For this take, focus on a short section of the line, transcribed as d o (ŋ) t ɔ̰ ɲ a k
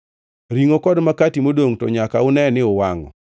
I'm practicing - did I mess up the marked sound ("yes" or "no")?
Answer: no